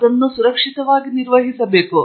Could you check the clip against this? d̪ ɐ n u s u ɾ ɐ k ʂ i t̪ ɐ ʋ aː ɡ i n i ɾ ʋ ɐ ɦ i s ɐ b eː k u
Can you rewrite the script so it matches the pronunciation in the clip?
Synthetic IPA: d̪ ɐ nː u s u ɾ ɐ k ʂ i t̪ ɐ ʋ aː ɡ i n i ɾ ʋ ɐ ɦ i s ɐ b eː k u

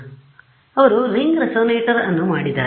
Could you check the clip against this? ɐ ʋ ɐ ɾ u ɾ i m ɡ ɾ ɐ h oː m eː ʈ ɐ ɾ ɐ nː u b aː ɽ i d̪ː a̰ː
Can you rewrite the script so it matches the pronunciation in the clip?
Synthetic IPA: ɐ ʋ ɐ ɾ u ɾ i ŋ ɡ ɾ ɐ s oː n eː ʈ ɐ ɾ ɐ nː u m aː ɽ i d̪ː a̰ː

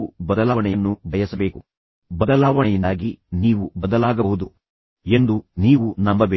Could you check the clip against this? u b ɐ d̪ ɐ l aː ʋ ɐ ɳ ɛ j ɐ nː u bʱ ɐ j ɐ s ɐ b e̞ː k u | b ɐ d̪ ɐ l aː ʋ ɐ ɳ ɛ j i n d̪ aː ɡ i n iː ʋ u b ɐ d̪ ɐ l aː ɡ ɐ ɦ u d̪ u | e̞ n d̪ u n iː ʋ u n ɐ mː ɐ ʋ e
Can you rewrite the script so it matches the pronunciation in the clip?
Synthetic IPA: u b ɐ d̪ ɐ l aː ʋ ɐ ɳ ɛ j ɐ nː u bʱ ɐ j ɐ s ɐ b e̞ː k u | b ɐ d̪ ɐ l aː ʋ ɐ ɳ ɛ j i n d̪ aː ɡ i n iː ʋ u b ɐ d̪ ɐ l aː ɡ ɐ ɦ u d̪ u | e̞ n d̪ u n iː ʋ u n ɐ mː ɐ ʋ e

